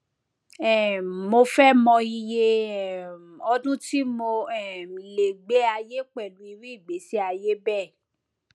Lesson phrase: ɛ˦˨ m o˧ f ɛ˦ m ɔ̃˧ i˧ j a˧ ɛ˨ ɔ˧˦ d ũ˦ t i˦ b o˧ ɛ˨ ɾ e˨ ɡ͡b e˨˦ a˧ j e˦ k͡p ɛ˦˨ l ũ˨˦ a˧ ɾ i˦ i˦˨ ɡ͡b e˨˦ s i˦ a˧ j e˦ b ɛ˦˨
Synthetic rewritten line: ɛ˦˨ m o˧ f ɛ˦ m ɔ̃˧ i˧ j e˧ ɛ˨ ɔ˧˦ d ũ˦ t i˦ m o˧ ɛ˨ l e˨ ɡ͡b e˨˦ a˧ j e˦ k͡p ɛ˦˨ l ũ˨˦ i˧ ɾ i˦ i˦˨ ɡ͡b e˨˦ s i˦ a˧ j e˦ b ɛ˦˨